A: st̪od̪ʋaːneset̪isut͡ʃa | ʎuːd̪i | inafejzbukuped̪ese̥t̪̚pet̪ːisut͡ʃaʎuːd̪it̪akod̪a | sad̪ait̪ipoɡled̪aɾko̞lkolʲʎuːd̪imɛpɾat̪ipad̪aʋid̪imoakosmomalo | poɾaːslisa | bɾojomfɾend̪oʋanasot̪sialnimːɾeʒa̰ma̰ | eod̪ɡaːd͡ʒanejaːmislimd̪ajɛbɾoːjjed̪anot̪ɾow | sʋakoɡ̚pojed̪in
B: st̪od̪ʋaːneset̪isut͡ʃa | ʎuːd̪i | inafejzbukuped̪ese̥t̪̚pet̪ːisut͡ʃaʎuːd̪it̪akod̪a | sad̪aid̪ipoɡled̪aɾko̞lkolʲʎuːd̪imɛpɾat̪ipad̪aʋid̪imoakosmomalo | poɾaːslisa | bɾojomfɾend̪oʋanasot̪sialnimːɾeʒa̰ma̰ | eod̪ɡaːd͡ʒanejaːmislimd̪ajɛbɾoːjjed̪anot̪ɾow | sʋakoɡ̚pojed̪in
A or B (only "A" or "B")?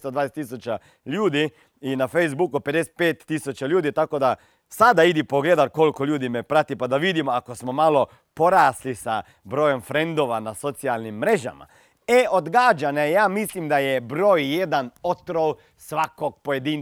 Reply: B